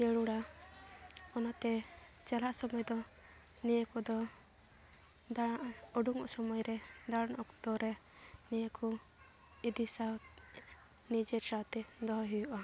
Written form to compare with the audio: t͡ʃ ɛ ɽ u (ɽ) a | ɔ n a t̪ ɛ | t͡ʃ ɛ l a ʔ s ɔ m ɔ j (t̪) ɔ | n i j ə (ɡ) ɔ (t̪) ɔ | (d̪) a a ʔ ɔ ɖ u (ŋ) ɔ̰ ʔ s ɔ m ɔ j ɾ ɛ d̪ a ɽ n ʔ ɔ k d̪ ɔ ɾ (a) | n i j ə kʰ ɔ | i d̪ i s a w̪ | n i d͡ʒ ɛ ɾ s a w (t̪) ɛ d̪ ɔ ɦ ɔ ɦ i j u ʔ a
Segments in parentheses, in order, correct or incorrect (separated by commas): correct, incorrect, incorrect, incorrect, correct, correct, incorrect, correct